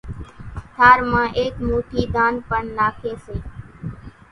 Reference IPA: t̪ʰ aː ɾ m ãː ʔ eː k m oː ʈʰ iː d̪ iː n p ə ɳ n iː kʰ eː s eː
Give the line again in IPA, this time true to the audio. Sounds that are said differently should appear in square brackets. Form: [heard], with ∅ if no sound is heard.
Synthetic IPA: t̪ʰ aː ɾ m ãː ʔ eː k m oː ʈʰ iː d̪ [aː] n p ə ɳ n [aː] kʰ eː s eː